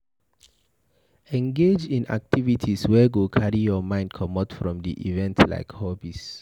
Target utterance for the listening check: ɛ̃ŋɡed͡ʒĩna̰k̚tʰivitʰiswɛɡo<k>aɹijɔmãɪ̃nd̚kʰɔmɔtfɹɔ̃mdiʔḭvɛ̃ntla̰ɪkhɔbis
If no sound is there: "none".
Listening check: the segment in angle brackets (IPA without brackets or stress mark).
kʰ